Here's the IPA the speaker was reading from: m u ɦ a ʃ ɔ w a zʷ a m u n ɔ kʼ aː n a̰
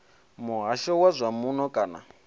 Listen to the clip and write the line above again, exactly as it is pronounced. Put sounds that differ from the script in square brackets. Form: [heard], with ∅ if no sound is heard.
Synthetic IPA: m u ɦ a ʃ ɔ w a zʷ a m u n ɔ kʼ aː n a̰